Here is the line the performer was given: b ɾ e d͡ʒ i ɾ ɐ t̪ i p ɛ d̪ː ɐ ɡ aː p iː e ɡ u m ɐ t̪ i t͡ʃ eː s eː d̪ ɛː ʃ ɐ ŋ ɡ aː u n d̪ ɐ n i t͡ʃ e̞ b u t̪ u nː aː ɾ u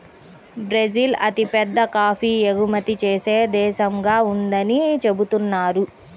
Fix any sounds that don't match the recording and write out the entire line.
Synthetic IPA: b ɾ e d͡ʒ i l ɐ t̪ i p ɛ d̪ː ɐ k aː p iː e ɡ u m ɐ t̪ i t͡ʃ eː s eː d̪ ɛː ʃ ɐ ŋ ɡ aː u n d̪ ɐ n i t͡ʃ e̞ b u t̪ u nː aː ɾ u